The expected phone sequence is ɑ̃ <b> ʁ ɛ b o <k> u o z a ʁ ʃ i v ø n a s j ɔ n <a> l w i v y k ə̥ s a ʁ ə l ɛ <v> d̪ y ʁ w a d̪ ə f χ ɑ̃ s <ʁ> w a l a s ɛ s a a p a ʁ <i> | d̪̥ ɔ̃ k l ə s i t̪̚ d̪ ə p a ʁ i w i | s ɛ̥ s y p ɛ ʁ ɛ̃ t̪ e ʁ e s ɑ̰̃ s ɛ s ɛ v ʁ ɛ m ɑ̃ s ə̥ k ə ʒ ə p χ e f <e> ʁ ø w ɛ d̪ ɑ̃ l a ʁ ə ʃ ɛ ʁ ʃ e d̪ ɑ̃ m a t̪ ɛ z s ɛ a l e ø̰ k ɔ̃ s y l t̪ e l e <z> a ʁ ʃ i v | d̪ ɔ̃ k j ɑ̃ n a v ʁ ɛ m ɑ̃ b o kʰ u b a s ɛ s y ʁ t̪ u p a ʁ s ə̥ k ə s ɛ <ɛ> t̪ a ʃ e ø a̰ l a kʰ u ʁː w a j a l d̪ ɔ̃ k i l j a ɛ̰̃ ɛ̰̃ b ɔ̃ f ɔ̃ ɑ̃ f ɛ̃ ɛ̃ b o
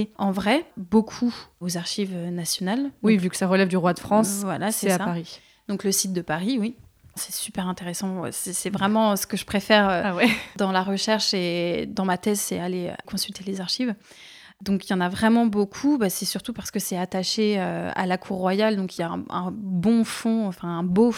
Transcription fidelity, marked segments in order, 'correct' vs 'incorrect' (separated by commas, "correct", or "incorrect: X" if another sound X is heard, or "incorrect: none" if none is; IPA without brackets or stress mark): incorrect: v, incorrect: kʰ, correct, correct, incorrect: v, correct, incorrect: ɛ, correct, incorrect: a